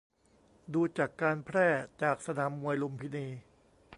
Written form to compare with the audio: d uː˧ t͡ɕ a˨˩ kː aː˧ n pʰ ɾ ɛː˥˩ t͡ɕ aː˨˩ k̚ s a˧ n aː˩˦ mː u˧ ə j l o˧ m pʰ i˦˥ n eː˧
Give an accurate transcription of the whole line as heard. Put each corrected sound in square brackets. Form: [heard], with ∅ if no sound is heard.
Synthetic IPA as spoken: d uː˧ t͡ɕ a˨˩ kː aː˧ n pʰ ɾ ɛː˥˩ t͡ɕ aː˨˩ k̚ s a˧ n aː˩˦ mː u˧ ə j l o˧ m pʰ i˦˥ n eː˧